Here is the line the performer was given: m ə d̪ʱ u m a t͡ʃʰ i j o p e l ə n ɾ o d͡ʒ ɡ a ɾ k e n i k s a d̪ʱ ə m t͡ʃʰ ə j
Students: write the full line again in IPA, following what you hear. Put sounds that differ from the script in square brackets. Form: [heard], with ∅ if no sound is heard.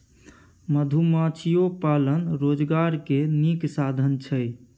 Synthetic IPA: m ə d̪ʱ u m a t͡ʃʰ i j o p [a] l ə n ɾ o d͡ʒ ɡ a ɾ k e n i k s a d̪ʱ ə [n] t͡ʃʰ ə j